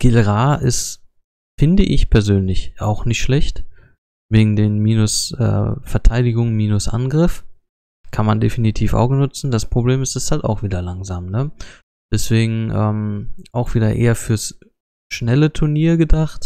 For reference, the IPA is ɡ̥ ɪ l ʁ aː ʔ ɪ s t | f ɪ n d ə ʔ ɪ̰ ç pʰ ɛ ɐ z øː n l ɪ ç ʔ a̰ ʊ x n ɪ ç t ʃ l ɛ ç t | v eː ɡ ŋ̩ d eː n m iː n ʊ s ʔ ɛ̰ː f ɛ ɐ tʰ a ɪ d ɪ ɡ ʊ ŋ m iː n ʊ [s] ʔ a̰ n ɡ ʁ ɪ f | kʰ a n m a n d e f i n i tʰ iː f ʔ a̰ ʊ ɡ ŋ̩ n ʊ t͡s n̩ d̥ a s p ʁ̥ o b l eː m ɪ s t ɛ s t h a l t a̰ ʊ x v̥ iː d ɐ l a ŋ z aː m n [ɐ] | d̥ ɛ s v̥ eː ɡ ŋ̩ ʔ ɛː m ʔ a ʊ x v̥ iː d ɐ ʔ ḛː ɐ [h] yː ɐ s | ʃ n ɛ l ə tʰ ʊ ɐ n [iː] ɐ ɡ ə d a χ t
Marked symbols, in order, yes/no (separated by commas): yes, no, no, yes